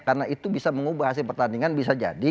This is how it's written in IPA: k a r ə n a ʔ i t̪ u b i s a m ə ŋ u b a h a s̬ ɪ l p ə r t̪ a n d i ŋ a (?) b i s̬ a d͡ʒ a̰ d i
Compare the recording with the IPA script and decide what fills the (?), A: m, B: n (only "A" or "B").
B